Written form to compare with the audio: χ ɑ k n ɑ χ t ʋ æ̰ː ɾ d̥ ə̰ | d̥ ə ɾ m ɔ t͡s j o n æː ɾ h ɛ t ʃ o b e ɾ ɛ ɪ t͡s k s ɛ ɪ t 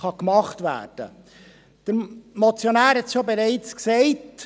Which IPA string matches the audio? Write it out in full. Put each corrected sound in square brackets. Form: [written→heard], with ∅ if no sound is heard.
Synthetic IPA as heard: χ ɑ k [n→m] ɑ χ t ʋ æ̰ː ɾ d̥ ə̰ | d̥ ə ɾ m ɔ t͡s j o n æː ɾ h ɛ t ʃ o b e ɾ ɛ ɪ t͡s k s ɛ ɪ t